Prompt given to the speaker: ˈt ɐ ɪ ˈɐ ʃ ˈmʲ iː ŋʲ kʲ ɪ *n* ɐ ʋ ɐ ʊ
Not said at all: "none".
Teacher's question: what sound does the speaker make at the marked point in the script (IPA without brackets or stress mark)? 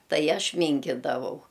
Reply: d